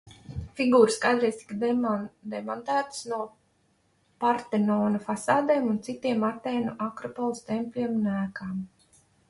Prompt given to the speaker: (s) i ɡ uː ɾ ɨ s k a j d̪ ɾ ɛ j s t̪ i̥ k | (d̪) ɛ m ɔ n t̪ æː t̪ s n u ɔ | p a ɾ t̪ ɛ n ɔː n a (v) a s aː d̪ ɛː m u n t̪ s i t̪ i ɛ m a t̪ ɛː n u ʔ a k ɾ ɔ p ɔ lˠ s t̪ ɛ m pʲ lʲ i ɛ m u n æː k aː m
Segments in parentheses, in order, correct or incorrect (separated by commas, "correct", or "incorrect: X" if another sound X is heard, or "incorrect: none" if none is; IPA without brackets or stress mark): incorrect: f, correct, incorrect: f